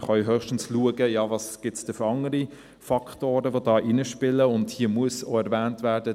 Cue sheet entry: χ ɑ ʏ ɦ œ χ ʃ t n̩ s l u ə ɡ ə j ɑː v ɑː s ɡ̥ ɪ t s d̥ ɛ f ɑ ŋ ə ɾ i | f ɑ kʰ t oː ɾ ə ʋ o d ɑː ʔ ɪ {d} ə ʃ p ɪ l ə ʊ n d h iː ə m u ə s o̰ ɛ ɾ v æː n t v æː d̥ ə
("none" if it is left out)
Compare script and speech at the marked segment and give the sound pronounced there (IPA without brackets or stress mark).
n